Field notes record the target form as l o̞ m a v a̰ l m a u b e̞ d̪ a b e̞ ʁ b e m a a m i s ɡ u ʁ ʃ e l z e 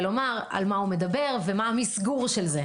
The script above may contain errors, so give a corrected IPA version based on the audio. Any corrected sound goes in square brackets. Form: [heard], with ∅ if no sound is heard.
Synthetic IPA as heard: l o̞ m a [ʁ] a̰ l m a u [m] e̞ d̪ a b e̞ ʁ [v] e m a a m i s ɡ u ʁ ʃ e l z e